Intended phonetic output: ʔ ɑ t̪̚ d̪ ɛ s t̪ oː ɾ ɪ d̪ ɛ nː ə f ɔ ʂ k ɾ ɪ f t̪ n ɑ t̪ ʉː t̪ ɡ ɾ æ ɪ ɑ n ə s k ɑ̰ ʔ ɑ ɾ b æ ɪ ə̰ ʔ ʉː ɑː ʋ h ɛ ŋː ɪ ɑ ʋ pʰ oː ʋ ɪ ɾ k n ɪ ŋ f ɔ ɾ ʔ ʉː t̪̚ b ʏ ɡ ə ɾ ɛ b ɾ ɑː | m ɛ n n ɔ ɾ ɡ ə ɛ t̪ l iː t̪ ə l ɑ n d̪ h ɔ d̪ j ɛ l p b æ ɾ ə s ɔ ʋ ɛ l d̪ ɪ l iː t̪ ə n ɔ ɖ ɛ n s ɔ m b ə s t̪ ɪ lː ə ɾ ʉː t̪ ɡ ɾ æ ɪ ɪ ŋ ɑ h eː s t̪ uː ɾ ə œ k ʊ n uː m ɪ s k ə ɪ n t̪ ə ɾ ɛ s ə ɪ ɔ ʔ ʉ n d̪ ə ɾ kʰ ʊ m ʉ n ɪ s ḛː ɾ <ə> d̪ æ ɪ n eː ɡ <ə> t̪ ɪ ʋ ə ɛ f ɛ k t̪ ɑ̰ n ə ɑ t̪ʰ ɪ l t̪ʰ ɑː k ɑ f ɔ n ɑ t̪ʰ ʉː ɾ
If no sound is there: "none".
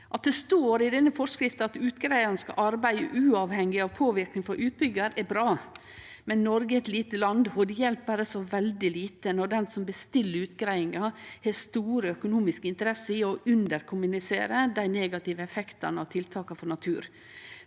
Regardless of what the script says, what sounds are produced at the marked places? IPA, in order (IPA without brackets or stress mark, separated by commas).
ə, ɑ